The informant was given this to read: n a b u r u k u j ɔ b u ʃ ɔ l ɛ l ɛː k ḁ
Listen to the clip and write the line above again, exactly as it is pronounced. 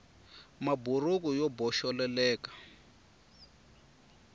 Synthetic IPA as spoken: m a b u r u k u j ɔ b ɔ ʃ ɔ l ɛ l ɛː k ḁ